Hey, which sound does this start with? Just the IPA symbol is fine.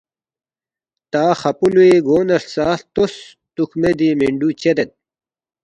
t̪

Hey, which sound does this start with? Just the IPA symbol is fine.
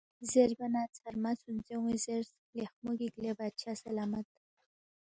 z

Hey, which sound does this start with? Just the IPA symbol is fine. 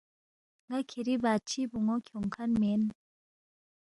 ŋ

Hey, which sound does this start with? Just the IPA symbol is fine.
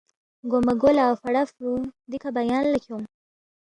ɡ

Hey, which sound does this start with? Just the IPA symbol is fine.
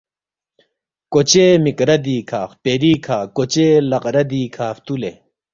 k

